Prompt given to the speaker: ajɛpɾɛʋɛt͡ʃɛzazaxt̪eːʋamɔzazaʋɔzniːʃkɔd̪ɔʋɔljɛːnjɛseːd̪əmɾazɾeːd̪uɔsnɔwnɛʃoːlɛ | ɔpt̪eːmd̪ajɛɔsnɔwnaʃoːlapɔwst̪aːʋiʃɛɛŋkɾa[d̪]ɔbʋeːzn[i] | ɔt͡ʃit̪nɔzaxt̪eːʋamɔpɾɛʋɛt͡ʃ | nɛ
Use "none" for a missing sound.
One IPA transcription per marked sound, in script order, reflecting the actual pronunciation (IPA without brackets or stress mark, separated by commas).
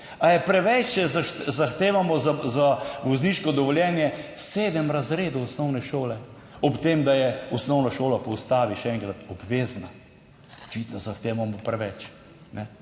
t̪, a